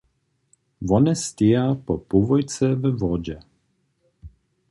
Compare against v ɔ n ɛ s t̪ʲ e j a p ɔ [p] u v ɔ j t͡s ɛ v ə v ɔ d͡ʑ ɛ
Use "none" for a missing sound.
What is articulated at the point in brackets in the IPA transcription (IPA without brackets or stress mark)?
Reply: p